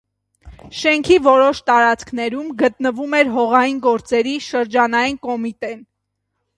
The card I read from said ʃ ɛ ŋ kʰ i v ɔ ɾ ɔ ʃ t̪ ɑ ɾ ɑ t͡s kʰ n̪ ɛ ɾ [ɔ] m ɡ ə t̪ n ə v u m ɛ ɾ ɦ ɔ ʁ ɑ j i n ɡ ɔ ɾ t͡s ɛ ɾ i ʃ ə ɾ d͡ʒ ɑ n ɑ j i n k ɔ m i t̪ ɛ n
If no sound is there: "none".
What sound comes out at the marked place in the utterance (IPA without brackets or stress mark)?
u